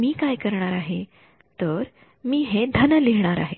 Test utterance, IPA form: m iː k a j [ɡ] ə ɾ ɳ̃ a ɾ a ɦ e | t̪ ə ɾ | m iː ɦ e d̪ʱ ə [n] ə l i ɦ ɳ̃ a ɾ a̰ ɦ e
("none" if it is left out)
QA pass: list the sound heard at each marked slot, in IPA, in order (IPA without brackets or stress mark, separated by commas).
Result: k, n